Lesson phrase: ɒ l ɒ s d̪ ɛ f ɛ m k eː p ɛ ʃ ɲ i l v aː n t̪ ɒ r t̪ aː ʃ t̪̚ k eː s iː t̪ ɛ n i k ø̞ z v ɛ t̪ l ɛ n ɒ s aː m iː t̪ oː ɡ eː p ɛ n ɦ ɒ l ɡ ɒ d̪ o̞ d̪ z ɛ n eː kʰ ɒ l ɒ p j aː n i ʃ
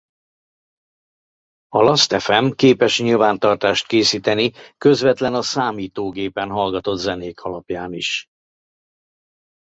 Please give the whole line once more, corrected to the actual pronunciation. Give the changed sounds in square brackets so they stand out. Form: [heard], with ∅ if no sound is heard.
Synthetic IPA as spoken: ɒ l ɒ s [t̪] ɛ f ɛ m k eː p ɛ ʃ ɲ i l v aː n t̪ ɒ r t̪ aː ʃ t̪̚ k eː s iː t̪ ɛ n i k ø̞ z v ɛ t̪ l ɛ n ɒ s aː m iː t̪ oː ɡ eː p ɛ n ɦ ɒ l ɡ ɒ [t̪] o̞ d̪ z ɛ n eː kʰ ɒ l ɒ p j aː n i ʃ